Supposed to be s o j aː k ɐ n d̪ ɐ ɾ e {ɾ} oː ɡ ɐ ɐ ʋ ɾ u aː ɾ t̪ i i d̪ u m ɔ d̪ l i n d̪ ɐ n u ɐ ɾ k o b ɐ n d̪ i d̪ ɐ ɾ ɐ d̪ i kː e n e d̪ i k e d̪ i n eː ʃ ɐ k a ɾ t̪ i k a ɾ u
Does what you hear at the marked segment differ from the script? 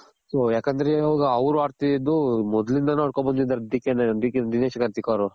yes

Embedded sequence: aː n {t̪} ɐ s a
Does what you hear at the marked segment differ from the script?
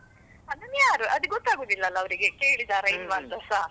no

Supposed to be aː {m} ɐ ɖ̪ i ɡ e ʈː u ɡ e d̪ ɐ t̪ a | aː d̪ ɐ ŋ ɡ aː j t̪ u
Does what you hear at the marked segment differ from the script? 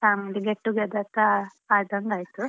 no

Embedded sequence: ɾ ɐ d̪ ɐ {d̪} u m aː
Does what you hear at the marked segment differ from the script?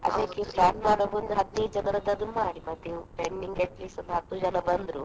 no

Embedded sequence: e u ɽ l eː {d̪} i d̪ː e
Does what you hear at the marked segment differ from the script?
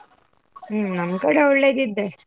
no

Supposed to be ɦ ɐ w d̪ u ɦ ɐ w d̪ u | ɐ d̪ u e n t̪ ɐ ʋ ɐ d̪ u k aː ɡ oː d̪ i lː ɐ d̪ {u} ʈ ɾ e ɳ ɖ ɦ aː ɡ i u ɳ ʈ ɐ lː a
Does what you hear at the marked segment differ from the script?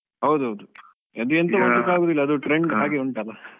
no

